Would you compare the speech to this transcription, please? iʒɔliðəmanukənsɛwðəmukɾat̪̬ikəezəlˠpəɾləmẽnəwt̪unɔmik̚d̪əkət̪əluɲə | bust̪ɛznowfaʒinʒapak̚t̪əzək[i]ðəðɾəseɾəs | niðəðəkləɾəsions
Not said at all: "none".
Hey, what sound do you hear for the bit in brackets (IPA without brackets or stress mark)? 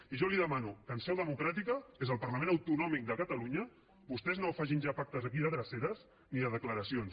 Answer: i